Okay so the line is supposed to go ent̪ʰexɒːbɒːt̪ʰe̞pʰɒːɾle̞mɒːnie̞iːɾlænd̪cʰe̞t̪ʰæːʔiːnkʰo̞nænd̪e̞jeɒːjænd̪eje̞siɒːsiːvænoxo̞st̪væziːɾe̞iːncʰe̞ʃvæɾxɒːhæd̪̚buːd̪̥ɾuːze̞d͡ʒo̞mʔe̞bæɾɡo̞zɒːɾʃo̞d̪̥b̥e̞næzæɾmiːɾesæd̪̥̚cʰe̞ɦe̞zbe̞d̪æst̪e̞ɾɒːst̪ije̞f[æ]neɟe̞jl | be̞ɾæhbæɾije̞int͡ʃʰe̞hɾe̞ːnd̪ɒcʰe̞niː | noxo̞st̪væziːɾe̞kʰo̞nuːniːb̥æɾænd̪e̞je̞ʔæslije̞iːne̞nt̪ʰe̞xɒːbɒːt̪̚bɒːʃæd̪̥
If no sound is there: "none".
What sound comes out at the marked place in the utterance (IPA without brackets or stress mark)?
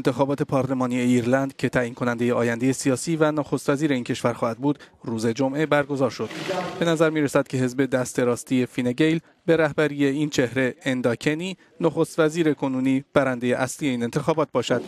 i